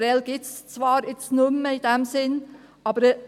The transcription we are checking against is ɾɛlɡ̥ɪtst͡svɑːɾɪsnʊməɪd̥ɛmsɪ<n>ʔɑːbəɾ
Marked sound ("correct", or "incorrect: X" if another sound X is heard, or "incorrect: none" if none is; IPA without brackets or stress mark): correct